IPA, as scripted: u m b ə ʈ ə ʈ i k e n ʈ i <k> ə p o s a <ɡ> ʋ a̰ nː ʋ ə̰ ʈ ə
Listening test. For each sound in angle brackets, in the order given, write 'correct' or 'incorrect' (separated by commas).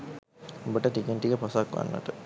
correct, incorrect